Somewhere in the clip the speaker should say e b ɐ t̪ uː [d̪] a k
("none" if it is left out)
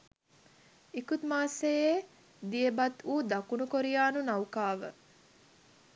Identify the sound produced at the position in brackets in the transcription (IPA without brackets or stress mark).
d̪